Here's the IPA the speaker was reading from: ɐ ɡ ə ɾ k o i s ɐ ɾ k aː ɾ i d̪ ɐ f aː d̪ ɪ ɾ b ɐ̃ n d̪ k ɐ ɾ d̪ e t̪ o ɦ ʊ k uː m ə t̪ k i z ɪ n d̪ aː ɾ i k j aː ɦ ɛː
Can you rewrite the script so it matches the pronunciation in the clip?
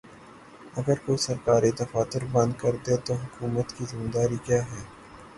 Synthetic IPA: ɐ ɡ ə ɾ k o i s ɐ ɾ k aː ɾ i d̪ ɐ f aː t̪ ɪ ɾ b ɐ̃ n d̪ k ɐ ɾ d̪ e t̪ o ɦ ʊ k uː m ə t̪ k i z ɪ m d̪ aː ɾ i k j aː ɦ ɛː